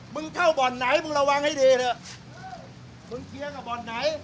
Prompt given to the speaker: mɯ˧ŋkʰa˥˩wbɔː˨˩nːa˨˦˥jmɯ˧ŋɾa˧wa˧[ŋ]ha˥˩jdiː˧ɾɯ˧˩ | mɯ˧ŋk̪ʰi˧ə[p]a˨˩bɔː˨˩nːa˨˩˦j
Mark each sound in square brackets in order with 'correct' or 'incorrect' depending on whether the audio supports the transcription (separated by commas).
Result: correct, incorrect